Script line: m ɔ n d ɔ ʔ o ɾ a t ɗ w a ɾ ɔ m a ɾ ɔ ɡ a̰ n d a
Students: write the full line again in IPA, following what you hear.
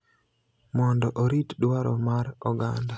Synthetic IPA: m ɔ n d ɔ ʔ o ɾ i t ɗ w a ɾ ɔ m a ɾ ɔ ɡ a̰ n d a

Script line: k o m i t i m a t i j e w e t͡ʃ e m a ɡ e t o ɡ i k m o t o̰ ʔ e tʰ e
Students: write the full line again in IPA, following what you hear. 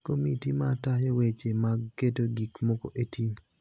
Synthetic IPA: k o m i t i m a t a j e w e t͡ʃ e m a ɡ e t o ɡ i k m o k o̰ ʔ e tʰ i

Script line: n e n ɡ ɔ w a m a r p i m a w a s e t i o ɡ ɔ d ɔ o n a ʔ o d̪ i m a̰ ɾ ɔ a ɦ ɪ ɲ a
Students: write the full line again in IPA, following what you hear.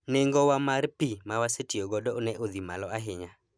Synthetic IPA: n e ŋ ɡ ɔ w a m a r p i m a w a s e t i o ɡ ɔ d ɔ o n ɛ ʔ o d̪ i m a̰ l ɔ a ɦ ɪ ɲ a

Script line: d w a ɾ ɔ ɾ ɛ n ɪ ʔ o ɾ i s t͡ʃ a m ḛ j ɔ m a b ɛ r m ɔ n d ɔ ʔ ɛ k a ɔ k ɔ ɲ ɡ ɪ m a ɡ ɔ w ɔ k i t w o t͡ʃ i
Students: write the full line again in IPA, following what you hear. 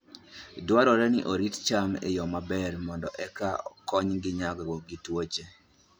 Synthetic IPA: d w a ɾ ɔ ɾ ɛ n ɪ ʔ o ɾ i t t͡ʃ a m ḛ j ɔ m a b ɛ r m ɔ n d ɔ ʔ ɛ k a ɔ k ɔ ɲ ɡ ɪ ɲ a ɡ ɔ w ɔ ɡ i t w o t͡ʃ e

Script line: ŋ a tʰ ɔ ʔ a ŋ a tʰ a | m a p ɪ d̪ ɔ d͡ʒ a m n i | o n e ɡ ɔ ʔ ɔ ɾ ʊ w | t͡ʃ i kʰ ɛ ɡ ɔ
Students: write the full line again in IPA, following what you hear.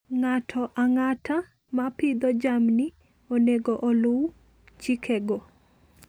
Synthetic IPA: ŋ a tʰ ɔ ʔ a ŋ a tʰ a | m a p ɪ d̪ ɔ d͡ʒ a m n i | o n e ɡ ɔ ʔ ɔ l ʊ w | t͡ʃ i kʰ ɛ ɡ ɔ

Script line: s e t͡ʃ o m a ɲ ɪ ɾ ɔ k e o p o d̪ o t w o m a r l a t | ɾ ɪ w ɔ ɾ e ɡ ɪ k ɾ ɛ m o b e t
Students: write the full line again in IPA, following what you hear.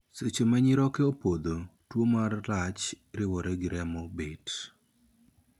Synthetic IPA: s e t͡ʃ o m a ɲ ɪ ɾ ɔ k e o p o d̪ o t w o m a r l a t͡ʃ | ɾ ɪ w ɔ ɾ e ɡ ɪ ɾ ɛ m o b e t

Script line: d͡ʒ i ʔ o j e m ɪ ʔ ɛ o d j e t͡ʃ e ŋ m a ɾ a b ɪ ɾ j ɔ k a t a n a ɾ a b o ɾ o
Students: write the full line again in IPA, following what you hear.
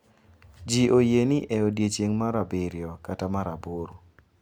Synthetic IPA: d͡ʒ i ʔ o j e n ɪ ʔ ɛ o d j e t͡ʃ e ŋ m a ɾ a b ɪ ɾ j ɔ k a t a m a ɾ a b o ɾ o

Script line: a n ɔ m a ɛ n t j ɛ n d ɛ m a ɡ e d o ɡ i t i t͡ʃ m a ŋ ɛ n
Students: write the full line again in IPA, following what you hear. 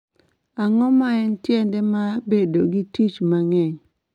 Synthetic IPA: a ŋ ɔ m a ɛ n t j ɛ n d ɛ m a b e d o ɡ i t i t͡ʃ m a ŋ ɛ ɲ

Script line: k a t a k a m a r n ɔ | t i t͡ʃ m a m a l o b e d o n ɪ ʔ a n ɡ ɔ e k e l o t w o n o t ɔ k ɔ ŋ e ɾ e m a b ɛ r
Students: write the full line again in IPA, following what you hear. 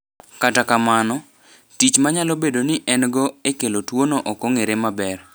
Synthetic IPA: k a t a k a m a n ɔ | t i t͡ʃ m a ɲ a l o b e d o n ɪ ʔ ɛ n ɡ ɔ e k e l o t w o n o ʔ ɔ k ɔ ŋ e ɾ e m a b ɛ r

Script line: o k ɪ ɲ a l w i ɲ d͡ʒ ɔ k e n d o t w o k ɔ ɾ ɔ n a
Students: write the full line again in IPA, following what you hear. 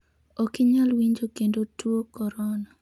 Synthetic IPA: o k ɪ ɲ a l w i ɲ d͡ʒ o k e n d o t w o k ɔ ɾ ɔ n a

